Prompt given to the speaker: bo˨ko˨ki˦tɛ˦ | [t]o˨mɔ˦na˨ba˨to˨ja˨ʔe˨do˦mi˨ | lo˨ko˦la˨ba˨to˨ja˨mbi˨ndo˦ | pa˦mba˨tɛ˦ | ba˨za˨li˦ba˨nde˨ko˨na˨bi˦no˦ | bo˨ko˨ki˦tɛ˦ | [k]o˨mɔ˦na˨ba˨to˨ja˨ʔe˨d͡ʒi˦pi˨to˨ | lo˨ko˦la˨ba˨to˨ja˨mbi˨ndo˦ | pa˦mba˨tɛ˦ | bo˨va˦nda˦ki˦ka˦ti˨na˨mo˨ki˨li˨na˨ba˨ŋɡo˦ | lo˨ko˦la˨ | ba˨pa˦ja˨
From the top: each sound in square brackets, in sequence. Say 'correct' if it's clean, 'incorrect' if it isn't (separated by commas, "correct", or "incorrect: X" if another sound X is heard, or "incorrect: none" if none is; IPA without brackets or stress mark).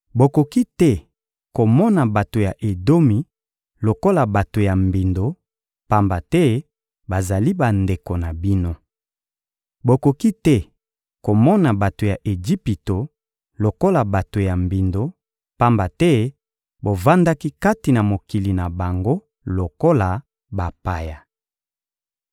incorrect: k, correct